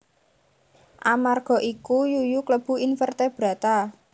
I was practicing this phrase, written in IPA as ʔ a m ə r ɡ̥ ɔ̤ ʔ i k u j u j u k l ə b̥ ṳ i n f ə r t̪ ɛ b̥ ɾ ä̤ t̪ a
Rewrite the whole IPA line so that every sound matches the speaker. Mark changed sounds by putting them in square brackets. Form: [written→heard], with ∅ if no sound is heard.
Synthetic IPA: ʔ a m [ə→a] r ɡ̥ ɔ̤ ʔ i k u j u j u k l ə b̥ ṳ i n f ə r t̪ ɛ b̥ ɾ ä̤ t̪ a